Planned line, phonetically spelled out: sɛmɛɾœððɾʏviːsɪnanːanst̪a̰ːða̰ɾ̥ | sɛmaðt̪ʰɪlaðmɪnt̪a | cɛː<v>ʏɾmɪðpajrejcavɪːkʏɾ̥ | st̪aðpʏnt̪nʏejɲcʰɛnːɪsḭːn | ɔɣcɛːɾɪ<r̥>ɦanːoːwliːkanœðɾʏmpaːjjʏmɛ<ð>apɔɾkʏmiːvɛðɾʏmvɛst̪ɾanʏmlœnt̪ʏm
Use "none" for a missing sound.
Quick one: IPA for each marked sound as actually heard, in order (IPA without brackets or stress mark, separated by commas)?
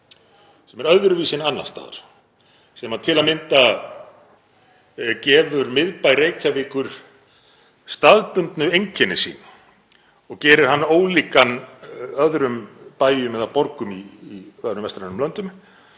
v, ɾ̥, ð